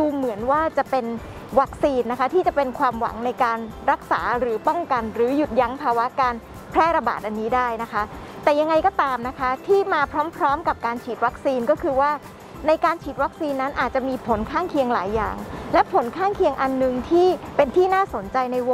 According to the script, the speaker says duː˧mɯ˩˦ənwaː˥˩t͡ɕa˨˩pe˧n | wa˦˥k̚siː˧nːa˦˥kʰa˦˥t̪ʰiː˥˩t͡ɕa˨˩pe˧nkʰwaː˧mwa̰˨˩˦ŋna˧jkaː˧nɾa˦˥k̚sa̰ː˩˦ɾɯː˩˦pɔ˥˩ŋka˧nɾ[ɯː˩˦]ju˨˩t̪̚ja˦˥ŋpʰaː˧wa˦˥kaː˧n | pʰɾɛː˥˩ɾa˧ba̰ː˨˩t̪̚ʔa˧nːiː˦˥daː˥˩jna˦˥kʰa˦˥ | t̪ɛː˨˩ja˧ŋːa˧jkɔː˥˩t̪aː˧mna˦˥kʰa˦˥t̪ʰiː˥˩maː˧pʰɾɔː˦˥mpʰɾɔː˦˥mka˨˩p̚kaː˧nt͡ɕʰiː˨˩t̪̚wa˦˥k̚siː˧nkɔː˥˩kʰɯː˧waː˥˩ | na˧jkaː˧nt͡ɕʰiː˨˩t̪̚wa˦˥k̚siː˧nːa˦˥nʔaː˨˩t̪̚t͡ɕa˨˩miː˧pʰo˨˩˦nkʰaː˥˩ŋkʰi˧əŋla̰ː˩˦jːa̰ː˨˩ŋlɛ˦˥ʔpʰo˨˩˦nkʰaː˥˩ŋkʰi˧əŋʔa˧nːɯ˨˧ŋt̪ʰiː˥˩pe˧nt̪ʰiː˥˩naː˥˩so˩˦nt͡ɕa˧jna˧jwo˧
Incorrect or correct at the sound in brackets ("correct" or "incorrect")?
correct